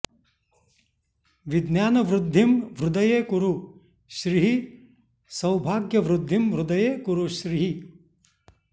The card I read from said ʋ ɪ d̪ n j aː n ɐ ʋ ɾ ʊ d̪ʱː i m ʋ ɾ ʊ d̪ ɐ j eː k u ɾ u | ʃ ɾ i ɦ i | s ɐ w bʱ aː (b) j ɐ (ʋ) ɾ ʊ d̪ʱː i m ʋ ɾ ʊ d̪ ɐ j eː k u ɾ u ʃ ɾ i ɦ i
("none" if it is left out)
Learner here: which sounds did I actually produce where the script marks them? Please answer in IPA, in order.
ɡ, ʋ

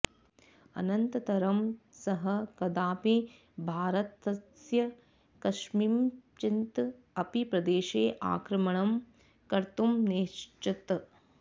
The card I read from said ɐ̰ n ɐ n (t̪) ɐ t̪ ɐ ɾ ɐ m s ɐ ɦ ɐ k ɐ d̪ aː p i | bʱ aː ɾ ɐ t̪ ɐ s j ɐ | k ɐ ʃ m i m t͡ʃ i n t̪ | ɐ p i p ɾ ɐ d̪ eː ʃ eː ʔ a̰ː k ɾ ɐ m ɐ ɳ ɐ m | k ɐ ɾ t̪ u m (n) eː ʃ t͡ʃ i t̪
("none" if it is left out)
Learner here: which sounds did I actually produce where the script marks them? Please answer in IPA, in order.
t̪, n

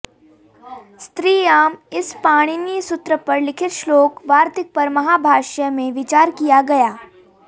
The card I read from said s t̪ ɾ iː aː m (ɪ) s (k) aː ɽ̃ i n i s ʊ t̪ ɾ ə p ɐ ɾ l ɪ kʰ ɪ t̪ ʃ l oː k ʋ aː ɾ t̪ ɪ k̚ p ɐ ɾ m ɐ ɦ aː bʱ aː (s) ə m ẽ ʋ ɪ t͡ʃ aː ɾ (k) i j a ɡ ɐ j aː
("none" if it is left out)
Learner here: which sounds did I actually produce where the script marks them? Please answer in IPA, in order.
ɪ, p, ʃ, k

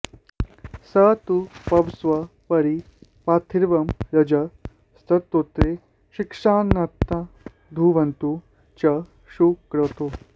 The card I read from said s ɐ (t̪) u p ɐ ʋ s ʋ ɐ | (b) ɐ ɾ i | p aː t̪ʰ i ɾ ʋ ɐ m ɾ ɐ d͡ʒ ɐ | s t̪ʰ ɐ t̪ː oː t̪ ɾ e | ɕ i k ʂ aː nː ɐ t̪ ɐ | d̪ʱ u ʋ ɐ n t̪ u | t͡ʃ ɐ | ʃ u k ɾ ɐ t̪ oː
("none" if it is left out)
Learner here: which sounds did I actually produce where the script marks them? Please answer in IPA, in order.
t̪, p

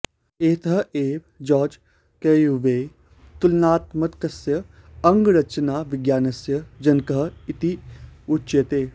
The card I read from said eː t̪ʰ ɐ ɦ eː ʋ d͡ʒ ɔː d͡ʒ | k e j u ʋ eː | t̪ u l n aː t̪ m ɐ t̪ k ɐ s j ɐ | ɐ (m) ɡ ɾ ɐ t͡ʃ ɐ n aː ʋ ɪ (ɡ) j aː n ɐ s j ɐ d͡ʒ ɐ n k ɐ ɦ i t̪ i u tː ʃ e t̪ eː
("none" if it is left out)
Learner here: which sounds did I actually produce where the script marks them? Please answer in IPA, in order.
ŋ, ɡ

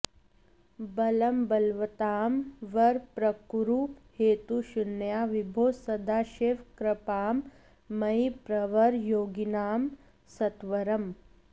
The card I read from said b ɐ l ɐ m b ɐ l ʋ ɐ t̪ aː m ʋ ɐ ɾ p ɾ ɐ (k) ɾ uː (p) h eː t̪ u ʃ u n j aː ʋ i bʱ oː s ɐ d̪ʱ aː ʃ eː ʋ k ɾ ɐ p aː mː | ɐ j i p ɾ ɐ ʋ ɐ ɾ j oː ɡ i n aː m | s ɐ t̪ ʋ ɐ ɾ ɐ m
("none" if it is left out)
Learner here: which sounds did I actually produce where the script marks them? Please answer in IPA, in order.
k, p

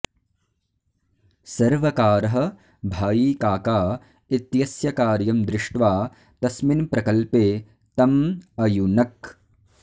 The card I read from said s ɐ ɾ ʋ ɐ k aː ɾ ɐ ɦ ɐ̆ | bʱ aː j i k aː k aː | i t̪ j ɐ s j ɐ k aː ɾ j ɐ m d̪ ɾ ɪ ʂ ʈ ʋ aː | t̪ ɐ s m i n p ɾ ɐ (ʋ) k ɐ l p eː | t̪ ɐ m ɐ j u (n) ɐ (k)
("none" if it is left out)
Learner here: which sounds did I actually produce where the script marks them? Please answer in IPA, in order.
none, n, k

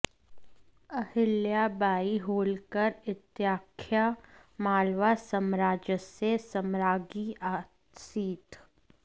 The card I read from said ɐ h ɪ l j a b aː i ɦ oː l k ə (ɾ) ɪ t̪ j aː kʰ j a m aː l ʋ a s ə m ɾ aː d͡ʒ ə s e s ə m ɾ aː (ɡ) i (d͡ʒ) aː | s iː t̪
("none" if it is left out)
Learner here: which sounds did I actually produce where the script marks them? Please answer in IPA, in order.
ɾ, ɡ, none

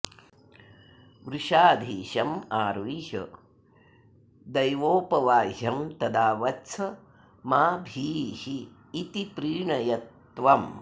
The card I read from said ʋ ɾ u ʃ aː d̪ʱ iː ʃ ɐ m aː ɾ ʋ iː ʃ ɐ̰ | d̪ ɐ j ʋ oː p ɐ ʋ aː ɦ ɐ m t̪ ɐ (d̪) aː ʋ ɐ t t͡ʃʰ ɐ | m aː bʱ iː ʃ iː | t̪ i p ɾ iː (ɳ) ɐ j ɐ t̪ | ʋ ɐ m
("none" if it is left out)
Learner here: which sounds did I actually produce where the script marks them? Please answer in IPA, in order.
d̪, ɳ

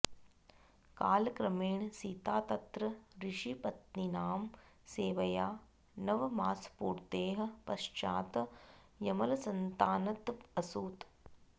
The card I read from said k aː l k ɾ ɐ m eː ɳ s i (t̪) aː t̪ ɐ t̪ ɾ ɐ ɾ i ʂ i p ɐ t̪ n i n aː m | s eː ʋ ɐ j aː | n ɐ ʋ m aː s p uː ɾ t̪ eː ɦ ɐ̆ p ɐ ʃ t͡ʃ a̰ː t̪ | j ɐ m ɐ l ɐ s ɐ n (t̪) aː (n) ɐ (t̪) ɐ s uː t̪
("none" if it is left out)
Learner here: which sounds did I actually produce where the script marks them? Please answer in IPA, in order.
t̪, t̪, n, t̪

